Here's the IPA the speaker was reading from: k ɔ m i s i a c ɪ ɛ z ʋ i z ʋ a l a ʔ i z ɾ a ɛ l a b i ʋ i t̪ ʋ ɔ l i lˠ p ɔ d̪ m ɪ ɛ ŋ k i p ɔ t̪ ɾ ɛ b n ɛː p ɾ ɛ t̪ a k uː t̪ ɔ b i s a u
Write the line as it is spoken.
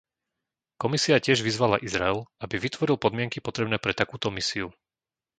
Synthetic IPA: k ɔ m i s i a c ɪ ɛ ʒ ʋ i z ʋ a l a ʔ i z ɾ a ɛ l a b i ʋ i t̪ ʋ ɔ ɾ i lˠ p ɔ d̪ m ɪ ɛ ŋ k i p ɔ t̪ ɾ ɛ b n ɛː p ɾ ɛ t̪ a k uː t̪ ɔ m i s i u